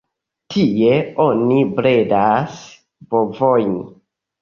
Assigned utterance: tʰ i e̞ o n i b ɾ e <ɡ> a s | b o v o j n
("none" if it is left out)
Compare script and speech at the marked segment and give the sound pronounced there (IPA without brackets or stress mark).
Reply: d